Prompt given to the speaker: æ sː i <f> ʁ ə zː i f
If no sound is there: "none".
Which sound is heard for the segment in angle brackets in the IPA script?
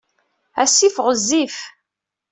f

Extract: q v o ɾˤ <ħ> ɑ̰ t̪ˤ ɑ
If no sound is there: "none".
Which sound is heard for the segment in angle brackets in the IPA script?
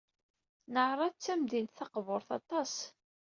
θ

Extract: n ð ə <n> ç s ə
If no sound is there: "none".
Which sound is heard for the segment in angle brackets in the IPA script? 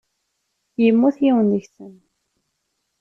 none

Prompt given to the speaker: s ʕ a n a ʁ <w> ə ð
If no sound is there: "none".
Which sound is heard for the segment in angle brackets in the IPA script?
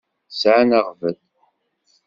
v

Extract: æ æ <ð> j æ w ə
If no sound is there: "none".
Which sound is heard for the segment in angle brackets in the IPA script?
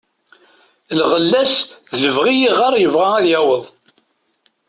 ð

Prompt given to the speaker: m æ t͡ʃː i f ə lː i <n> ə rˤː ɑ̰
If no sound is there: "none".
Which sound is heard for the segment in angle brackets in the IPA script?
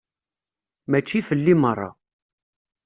m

